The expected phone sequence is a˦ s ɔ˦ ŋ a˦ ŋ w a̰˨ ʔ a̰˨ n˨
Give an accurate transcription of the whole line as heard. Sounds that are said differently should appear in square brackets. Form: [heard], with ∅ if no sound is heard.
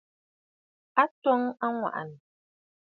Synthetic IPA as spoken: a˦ [t] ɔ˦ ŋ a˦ ŋ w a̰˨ ʔ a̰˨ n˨